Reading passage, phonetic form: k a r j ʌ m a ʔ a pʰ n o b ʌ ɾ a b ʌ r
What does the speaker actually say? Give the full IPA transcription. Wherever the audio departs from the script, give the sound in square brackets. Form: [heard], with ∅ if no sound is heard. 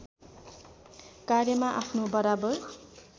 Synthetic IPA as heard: k a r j ʌ m a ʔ a pʰ n o b ʌ ɾ a b ʌ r